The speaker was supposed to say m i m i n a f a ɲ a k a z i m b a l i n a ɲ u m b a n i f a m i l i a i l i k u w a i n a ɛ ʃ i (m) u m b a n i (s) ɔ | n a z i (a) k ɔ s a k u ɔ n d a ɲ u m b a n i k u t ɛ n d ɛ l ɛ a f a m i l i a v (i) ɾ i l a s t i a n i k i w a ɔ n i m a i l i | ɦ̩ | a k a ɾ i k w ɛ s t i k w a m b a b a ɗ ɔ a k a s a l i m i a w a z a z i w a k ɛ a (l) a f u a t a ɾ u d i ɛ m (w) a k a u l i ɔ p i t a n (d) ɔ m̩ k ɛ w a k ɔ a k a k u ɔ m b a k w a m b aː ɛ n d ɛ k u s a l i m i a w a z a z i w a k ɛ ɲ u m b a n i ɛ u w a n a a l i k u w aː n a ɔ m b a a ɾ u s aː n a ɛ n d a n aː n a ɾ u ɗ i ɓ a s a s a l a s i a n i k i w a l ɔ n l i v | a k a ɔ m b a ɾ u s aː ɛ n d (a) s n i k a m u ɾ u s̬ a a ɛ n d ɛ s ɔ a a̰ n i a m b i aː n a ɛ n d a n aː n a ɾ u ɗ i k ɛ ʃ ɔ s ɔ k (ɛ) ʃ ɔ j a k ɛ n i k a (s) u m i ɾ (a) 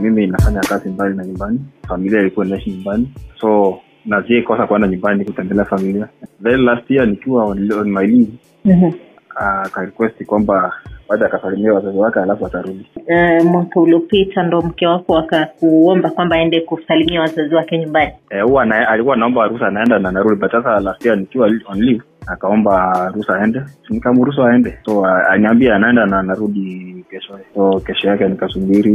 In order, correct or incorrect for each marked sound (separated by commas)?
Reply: incorrect, correct, incorrect, incorrect, correct, correct, correct, incorrect, correct, correct, incorrect